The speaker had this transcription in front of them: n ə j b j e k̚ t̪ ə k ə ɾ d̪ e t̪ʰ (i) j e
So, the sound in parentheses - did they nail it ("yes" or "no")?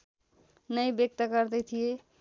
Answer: yes